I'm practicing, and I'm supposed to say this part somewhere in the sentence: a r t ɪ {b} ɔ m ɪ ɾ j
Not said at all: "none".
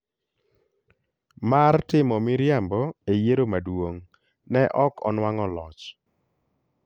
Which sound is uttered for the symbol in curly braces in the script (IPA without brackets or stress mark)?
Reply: m